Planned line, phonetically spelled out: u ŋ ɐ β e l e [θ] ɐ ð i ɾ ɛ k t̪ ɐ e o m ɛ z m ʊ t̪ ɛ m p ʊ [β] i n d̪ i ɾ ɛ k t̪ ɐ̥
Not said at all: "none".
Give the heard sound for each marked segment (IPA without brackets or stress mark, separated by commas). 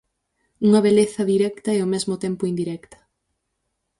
θ, none